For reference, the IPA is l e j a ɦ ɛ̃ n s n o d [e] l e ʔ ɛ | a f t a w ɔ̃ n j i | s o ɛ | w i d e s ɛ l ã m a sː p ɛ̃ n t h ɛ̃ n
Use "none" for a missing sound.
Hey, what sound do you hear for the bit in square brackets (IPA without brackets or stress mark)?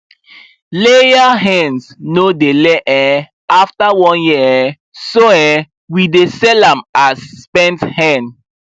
e